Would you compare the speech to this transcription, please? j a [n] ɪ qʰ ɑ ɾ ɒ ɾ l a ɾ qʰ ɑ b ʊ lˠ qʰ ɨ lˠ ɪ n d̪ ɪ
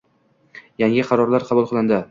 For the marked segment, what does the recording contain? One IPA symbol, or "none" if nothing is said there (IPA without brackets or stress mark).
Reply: ŋ